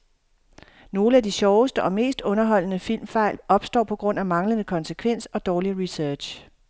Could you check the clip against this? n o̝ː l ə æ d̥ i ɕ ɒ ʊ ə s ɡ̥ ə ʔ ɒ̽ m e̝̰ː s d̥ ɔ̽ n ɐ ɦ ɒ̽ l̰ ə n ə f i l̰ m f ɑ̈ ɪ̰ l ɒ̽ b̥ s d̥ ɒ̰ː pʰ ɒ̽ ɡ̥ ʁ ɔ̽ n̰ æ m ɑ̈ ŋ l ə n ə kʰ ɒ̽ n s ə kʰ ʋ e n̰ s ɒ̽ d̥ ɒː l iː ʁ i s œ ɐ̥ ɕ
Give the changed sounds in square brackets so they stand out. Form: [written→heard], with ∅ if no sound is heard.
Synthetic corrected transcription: n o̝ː l ə æ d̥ i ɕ ɒ ʊ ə s [ɡ̥→d̥] ə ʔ ɒ̽ m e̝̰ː s d̥ ɔ̽ n ɐ ɦ ɒ̽ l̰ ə n ə f i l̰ m f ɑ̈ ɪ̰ l ɒ̽ b̥ s d̥ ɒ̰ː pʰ ɒ̽ ɡ̥ ʁ ɔ̽ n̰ æ m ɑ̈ ŋ l ə n ə kʰ ɒ̽ n s ə kʰ ʋ e n̰ s ɒ̽ d̥ ɒː l [iː→i] ʁ i s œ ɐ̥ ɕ